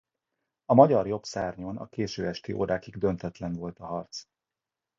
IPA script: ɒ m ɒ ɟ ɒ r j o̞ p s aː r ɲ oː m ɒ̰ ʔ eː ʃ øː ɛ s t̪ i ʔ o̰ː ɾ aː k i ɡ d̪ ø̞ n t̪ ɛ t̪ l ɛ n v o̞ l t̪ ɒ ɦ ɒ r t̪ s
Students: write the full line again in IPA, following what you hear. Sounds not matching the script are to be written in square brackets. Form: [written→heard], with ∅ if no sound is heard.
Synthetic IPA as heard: ɒ m ɒ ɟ ɒ r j o̞ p s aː r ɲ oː [m→n] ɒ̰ [ʔ→k] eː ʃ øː ɛ [s→ʃ] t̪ i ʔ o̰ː ɾ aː k i ɡ d̪ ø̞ n t̪ ɛ t̪ l ɛ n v o̞ l t̪ ɒ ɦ ɒ r t̪ s